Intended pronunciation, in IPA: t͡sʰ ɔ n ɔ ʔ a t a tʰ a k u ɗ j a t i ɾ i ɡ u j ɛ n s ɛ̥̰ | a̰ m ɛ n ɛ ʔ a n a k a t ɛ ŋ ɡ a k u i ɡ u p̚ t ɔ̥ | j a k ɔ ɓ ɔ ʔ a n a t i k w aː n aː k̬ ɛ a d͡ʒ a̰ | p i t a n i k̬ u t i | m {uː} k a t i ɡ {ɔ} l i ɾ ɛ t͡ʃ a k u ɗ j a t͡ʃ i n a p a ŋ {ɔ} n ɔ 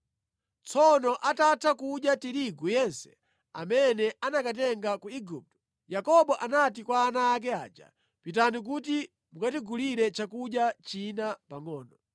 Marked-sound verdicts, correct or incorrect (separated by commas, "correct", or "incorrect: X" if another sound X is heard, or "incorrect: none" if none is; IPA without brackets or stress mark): incorrect: u, incorrect: u, incorrect: ɔː